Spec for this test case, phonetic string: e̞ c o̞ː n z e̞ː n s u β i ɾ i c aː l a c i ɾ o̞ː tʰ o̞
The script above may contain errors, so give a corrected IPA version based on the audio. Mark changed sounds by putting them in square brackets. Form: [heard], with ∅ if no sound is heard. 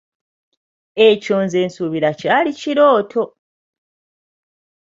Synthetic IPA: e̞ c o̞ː n z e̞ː n s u β i ɾ [a] c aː l [i] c i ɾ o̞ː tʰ o̞